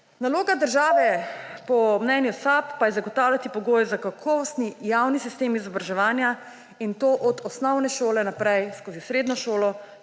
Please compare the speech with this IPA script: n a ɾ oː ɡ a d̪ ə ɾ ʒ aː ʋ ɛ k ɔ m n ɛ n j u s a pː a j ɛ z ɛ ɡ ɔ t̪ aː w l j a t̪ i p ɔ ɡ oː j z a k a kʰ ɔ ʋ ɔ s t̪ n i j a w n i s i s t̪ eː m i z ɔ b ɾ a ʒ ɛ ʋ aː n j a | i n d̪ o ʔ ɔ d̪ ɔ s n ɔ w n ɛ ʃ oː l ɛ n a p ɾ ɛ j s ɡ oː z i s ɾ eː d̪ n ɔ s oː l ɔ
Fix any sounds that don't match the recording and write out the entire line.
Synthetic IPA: n a l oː ɡ a d̪ ə ɾ ʒ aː ʋ ɛ p ɔ m n ɛ n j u s a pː a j ɛ z a ɡ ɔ t̪ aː w l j a t̪ i p ɔ ɡ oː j z a k a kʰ ɔ ʋ ɔ s t̪ n i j a w n i s i s t̪ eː m i z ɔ b ɾ a ʒ ɛ ʋ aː n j a | i n t̪ o ʔ ɔ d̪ ɔ s n ɔ w n ɛ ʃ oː l ɛ n a p ɾ ɛ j s k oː z i s ɾ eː d̪ n ɔ ʃ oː l ɔ